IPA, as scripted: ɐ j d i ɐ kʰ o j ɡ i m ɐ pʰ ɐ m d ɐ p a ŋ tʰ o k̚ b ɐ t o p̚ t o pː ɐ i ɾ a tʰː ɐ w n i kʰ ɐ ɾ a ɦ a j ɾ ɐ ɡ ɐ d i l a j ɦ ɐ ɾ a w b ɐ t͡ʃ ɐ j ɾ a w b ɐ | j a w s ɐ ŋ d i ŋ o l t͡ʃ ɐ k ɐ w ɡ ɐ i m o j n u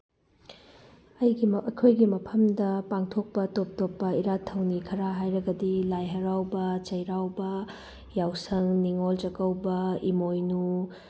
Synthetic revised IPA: ɐ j ɡ i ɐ kʰ o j ɡ i m ɐ pʰ ɐ m d ɐ p a ŋ tʰ o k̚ p ɐ t o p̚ t o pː ɐ i ɾ a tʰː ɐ w n i kʰ ɐ ɾ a ɦ a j ɾ ɐ ɡ ɐ d i l a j ɦ ɐ ɾ a w b ɐ t͡ʃ ɐ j ɾ a w b ɐ | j a w s ɐ ŋ n i ŋ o l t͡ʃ ɐ k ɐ w b ɐ i m o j n u